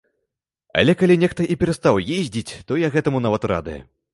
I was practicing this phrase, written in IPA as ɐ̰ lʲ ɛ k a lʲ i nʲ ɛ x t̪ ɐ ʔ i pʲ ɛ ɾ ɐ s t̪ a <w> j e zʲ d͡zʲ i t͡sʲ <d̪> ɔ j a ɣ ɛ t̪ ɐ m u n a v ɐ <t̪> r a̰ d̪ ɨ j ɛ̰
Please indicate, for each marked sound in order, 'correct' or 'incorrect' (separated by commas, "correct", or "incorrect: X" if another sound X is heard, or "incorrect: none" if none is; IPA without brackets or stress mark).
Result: correct, incorrect: t̪, correct